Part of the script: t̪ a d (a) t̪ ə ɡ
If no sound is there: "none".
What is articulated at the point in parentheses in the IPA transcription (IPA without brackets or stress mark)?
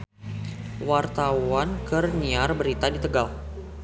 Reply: i